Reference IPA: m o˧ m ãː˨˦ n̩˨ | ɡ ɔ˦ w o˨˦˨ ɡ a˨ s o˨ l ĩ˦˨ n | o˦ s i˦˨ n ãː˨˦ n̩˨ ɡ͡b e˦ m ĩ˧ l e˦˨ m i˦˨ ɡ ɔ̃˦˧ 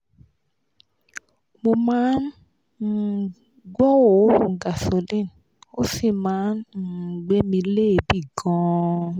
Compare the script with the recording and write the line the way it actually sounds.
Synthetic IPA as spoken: m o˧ m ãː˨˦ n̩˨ | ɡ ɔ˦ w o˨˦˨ ɡ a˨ s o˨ l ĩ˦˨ n | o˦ s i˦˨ m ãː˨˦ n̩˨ ɡ͡b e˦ m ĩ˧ l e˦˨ b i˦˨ ɡ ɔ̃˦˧